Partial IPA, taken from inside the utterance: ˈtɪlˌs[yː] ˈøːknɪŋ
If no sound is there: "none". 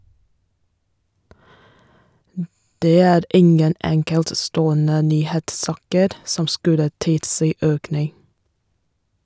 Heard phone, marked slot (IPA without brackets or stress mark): iː